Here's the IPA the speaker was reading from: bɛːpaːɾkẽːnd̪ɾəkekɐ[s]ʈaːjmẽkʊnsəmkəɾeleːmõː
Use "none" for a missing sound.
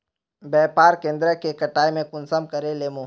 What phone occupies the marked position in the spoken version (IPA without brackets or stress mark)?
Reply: none